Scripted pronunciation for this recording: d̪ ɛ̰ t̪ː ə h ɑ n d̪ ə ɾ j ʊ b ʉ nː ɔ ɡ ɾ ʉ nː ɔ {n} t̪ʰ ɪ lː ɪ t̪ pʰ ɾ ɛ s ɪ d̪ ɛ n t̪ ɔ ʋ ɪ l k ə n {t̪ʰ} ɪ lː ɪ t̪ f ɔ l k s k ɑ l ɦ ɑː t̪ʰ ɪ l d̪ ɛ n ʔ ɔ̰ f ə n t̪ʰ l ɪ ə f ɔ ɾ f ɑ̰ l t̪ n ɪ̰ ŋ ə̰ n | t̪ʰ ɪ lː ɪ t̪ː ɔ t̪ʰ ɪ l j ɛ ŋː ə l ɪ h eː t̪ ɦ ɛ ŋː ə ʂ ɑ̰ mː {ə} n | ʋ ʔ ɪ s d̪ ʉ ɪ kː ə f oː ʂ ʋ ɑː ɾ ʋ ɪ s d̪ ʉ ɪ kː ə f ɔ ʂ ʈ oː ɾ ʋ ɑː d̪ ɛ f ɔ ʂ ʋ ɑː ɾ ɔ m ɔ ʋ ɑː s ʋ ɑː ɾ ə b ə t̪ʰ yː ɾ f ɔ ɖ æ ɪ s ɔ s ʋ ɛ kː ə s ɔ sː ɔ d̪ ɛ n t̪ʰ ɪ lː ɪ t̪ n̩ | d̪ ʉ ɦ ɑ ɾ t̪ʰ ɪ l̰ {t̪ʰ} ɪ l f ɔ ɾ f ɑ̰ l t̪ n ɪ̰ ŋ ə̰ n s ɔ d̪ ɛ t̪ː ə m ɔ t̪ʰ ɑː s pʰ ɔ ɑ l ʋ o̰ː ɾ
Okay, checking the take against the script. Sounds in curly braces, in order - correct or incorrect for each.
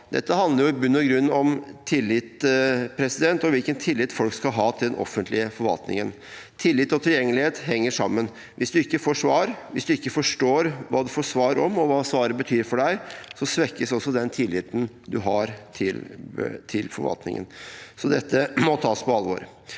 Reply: incorrect, correct, correct, correct

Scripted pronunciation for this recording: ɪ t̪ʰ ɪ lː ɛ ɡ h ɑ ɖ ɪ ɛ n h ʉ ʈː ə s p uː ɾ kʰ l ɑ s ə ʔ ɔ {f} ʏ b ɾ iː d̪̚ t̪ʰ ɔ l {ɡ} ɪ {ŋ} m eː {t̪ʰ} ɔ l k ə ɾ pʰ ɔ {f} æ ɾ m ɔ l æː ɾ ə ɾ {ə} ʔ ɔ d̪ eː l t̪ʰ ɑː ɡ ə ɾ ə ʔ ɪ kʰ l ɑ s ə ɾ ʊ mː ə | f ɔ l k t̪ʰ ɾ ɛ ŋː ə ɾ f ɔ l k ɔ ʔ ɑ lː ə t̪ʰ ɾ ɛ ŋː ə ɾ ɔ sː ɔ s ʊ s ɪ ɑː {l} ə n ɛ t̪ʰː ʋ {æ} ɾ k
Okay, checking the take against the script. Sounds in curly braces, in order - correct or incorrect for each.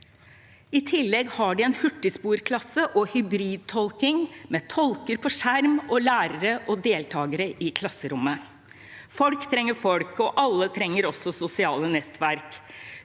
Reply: incorrect, incorrect, correct, correct, incorrect, correct, correct, correct

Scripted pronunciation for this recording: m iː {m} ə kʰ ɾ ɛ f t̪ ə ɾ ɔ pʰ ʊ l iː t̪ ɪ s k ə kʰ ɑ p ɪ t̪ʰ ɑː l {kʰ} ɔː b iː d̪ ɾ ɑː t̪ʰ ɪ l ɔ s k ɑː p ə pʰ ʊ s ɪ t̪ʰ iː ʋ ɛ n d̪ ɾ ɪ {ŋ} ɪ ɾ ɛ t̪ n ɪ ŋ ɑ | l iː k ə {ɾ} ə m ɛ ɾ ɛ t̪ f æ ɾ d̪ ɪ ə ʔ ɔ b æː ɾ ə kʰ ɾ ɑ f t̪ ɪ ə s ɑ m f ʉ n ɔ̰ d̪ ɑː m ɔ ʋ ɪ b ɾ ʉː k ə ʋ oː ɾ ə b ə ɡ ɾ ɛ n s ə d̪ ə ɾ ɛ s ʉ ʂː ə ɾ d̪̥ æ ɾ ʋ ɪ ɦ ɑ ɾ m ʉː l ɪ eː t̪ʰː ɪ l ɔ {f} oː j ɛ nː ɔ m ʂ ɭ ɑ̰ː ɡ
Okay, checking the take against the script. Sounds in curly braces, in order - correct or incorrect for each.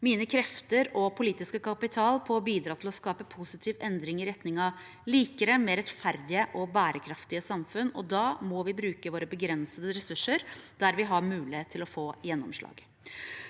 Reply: incorrect, incorrect, correct, correct, correct

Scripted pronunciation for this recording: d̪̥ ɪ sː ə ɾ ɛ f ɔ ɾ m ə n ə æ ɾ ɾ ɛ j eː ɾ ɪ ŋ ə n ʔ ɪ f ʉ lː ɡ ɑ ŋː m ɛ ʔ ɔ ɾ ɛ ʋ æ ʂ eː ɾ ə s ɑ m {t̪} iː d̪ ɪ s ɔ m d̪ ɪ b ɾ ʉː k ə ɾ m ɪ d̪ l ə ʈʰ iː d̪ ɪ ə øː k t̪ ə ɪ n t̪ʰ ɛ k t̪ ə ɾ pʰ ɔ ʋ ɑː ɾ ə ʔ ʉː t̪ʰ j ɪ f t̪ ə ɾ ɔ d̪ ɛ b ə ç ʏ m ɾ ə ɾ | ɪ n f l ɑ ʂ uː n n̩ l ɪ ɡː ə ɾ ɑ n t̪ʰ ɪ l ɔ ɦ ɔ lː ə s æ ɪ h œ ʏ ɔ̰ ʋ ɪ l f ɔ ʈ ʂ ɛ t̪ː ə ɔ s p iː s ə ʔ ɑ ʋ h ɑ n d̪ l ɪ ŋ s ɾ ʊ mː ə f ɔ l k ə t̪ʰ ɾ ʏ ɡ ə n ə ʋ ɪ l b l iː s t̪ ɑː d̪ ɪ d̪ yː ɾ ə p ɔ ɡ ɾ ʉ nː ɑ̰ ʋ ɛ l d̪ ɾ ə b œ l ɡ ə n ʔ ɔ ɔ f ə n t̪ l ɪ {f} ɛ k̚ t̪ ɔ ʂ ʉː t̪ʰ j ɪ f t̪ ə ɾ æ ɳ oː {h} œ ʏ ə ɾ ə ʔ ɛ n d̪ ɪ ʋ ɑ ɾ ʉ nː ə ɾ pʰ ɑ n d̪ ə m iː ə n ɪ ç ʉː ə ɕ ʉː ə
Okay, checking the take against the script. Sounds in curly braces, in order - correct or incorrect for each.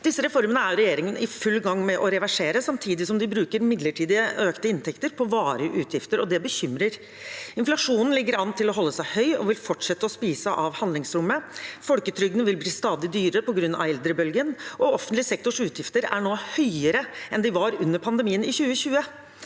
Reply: incorrect, incorrect, correct

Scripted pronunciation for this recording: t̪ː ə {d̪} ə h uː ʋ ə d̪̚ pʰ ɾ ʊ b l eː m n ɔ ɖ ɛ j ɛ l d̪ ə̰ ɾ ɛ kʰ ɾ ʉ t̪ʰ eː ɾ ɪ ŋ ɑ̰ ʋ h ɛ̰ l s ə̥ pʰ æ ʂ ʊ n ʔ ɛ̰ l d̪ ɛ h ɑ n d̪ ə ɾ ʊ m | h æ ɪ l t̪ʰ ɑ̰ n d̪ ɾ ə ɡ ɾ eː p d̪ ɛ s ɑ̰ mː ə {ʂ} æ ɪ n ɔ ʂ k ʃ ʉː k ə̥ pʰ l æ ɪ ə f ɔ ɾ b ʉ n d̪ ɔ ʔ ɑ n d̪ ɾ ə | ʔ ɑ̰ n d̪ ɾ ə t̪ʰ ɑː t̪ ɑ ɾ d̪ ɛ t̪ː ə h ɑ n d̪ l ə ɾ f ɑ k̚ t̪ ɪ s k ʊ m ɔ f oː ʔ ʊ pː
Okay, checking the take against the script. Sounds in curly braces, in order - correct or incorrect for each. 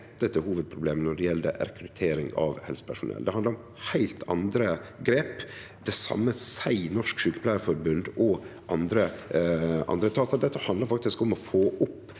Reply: incorrect, incorrect

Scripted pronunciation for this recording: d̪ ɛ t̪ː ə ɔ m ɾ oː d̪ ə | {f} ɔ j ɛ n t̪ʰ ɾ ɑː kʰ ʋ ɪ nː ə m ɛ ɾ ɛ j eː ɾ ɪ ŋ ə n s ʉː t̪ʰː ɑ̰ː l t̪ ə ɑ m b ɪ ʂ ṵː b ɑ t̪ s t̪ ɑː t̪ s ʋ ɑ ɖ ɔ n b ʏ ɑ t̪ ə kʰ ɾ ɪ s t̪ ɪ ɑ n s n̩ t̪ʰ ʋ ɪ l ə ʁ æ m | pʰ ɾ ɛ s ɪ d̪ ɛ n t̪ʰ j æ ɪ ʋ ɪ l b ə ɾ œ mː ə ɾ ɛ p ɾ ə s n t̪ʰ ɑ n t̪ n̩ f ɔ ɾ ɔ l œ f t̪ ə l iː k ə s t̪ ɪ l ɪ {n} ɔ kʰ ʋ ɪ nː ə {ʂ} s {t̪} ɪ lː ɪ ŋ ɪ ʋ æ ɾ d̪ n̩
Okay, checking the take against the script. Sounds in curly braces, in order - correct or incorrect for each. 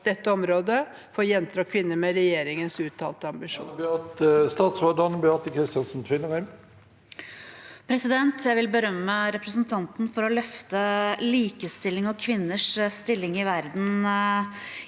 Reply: correct, incorrect, correct, correct

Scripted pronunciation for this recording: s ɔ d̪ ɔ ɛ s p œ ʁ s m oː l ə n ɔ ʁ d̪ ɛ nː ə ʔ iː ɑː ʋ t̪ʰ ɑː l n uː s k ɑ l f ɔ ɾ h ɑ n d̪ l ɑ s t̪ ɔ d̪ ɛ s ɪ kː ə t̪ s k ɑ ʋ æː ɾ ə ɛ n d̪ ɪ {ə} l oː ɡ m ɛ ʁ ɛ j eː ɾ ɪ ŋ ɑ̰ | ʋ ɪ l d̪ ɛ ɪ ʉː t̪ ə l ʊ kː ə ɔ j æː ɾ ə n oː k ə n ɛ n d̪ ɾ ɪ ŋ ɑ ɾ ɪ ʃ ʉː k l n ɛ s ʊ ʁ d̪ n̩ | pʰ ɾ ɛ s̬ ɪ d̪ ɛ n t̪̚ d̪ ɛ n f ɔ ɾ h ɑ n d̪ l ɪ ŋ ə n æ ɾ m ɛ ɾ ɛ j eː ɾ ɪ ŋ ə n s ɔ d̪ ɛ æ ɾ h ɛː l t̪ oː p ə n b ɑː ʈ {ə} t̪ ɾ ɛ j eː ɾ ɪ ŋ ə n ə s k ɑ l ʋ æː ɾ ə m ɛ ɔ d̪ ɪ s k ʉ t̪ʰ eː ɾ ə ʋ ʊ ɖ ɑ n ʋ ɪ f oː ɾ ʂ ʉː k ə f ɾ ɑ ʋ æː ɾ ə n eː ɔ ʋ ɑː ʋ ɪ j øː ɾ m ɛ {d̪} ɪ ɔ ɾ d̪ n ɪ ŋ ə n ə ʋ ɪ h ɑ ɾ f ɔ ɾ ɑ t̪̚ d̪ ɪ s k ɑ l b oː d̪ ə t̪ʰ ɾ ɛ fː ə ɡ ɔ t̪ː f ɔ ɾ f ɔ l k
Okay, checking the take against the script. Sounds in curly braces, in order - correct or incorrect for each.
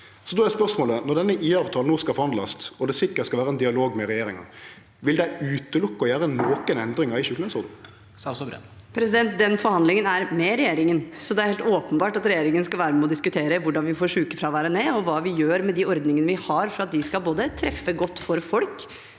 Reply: incorrect, incorrect, correct

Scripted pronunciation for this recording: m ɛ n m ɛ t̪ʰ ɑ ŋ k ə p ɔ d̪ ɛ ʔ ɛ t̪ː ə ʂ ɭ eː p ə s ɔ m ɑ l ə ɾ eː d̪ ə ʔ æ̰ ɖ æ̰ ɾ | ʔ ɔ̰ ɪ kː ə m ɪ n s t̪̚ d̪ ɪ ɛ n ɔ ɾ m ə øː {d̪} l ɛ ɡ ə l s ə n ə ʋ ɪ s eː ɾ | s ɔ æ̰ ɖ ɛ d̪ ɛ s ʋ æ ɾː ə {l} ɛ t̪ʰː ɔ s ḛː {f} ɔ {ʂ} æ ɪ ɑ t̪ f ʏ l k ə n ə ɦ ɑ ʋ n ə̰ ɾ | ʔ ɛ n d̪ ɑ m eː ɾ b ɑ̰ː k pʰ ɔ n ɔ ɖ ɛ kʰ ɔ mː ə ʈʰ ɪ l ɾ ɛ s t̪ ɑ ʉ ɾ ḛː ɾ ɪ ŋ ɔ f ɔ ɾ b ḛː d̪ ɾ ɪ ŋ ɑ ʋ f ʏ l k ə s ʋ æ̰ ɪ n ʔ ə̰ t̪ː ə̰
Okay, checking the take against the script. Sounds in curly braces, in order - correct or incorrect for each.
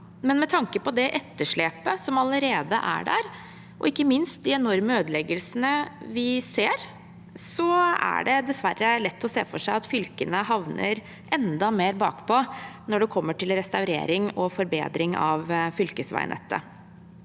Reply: correct, correct, correct, correct

